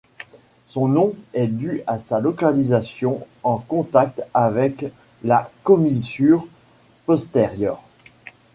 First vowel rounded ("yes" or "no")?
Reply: yes